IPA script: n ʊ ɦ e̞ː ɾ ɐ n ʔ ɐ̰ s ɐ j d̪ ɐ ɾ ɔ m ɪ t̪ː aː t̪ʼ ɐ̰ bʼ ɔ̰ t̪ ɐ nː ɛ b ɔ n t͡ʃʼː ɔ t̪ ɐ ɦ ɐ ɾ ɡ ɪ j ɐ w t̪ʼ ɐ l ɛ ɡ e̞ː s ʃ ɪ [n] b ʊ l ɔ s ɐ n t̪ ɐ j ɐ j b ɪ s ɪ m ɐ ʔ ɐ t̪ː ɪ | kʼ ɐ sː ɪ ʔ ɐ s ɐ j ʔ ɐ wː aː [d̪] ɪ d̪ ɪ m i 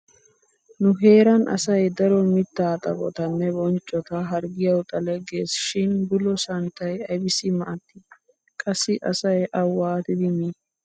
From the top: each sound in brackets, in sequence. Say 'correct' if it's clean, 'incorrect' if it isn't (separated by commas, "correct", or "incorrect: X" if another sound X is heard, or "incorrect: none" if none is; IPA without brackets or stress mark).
correct, incorrect: t̪